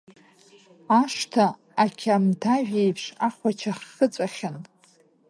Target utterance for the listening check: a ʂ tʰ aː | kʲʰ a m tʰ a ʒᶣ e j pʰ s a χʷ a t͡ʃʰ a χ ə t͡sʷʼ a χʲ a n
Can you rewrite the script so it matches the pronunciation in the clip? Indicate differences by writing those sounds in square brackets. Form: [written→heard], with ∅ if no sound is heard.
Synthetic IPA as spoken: a ʂ tʰ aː | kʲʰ a m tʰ a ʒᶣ e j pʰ [s→ʂ] a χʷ a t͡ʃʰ a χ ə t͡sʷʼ a χʲ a n